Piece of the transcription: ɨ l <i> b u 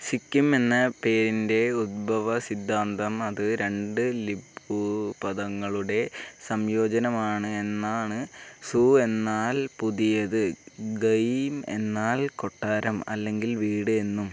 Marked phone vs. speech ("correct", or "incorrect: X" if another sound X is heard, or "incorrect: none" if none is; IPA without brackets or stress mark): correct